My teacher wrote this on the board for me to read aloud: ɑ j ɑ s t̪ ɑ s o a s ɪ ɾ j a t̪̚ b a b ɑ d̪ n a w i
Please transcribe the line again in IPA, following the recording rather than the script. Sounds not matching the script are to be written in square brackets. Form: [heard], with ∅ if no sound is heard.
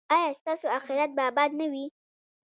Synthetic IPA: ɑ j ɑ s t̪ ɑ s o a [x] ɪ ɾ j a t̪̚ b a b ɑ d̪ n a w i